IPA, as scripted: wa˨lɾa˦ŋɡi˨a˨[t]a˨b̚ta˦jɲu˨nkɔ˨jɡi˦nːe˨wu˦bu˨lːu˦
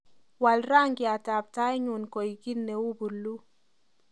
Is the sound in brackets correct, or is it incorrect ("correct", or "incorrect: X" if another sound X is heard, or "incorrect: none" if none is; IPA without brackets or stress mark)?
correct